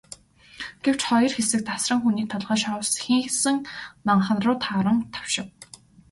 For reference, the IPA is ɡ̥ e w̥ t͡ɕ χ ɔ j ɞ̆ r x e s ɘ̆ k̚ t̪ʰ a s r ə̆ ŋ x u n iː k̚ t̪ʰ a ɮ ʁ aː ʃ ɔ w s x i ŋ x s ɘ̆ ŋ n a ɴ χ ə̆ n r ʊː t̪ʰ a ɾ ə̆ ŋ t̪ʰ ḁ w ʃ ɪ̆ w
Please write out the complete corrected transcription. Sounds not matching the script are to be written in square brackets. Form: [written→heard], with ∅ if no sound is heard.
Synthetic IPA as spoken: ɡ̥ e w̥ t͡ɕ χ ɔ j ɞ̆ r x e s ɘ̆ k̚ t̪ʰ a s r ə̆ ŋ x u n iː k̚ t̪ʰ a ɮ ʁ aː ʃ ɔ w s x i ŋ x s ɘ̆ ŋ n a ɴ χ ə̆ n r ʊː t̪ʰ a ɾ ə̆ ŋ t̪ʰ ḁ w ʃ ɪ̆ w